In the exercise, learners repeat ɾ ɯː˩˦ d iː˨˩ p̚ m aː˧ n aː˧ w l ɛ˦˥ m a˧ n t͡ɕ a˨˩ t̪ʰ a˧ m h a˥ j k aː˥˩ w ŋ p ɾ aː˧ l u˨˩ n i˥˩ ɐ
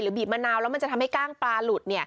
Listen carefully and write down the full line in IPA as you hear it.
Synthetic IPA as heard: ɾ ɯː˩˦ b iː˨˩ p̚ m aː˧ n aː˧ w l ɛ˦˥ m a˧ n t͡ɕ a˨˩ t̪ʰ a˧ m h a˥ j k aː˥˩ ŋ p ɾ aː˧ l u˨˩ n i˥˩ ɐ